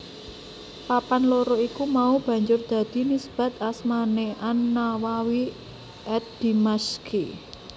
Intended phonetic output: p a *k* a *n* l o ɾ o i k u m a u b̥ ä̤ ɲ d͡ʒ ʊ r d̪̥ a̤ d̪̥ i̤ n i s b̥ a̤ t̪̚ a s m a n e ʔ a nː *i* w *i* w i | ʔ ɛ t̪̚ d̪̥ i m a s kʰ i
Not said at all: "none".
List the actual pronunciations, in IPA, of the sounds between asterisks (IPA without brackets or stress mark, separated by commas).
p, n, a, a